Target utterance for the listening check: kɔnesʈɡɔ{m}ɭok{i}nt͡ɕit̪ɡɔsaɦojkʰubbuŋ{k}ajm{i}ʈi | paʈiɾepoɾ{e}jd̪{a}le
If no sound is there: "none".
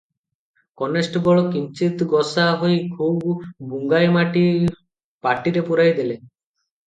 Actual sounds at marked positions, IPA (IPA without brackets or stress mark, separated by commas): none, i, ɡ, a, a, e